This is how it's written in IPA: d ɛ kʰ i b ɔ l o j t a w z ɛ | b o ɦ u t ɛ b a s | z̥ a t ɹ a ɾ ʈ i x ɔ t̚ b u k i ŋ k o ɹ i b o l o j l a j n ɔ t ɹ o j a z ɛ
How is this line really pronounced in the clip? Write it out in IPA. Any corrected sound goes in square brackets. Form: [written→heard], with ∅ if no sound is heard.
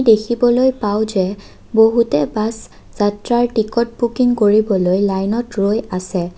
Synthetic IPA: d [ɛ→e] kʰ i b ɔ l o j [t→p] a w z ɛ | b o ɦ u t ɛ b a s | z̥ a t ɹ a [ɾ→ɹ] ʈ i [x→k] ɔ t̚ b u k i ŋ k o ɹ i b [o→ɔ] l o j l a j n ɔ t ɹ o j a [z→s] ɛ